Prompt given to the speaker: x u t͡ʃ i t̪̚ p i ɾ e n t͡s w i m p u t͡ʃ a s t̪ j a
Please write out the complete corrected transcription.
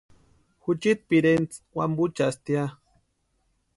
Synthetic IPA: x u t͡ʃ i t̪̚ p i ɾ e n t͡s w a m b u t͡ʃ a s t̪ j a